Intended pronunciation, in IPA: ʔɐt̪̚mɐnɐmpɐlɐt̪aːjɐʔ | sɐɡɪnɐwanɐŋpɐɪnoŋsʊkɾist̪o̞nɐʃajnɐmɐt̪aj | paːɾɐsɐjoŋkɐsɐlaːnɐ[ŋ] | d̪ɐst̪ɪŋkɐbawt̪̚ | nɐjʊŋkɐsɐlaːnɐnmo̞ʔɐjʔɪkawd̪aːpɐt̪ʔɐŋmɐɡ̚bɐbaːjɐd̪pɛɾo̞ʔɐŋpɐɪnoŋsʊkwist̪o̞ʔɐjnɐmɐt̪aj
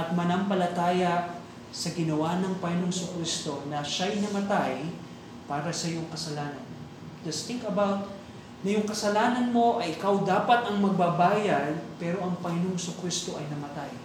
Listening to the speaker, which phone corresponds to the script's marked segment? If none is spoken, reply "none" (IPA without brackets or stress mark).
n